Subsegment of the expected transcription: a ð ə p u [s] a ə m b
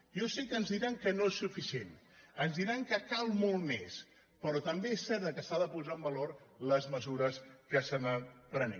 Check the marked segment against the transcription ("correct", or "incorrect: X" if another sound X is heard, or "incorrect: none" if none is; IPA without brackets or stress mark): incorrect: z